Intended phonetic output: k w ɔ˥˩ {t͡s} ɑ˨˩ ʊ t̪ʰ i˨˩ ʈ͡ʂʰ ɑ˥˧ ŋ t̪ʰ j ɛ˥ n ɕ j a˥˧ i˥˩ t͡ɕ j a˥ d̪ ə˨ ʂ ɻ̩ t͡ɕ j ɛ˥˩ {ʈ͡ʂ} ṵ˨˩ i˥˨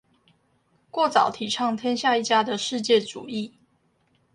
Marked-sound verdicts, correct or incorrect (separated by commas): correct, correct